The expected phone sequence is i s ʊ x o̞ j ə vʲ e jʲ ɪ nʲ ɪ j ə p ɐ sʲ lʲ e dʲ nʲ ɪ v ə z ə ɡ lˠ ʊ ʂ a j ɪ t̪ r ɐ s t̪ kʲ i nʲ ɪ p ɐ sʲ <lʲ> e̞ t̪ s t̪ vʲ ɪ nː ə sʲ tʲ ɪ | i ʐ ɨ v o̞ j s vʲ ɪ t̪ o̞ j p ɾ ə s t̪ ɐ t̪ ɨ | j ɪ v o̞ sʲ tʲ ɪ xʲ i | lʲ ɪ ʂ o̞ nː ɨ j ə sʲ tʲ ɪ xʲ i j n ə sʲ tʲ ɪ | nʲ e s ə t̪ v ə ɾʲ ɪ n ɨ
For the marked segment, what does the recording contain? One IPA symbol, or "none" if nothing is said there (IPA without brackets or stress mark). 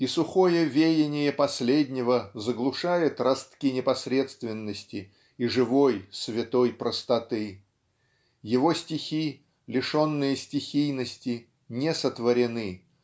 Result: ɾʲ